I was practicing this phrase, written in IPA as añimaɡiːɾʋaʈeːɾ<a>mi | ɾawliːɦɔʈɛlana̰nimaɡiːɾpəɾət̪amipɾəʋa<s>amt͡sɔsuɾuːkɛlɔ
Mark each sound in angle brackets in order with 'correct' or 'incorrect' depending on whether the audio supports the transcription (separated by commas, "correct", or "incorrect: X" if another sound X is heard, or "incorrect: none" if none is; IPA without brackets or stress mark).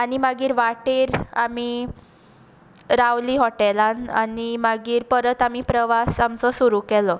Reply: correct, correct